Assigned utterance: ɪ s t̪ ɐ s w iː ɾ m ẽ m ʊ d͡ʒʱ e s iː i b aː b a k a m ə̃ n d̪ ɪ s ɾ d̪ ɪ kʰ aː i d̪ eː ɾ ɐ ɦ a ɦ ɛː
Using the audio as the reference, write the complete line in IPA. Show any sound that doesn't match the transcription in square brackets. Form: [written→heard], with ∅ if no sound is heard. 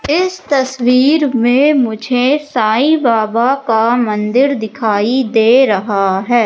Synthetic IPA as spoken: ɪ s t̪ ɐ s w iː ɾ m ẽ m ʊ d͡ʒʱ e s [iː→aː] i b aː b a k a m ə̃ n d̪ ɪ [s→∅] ɾ d̪ ɪ kʰ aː i d̪ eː ɾ ɐ ɦ a ɦ ɛː